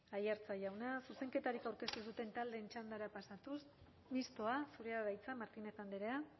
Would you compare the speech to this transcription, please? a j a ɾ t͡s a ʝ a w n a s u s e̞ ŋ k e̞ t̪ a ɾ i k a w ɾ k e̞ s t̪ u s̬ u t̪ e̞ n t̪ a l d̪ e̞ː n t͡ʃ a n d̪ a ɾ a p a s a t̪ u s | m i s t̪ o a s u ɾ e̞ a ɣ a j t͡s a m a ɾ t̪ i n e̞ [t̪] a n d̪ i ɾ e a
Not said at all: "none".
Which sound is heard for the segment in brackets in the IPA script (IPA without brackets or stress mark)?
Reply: t̪